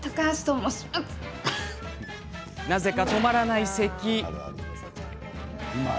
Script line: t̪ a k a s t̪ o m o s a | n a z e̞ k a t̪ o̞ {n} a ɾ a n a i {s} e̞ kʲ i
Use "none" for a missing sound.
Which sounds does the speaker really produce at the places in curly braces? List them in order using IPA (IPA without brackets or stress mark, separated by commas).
m, s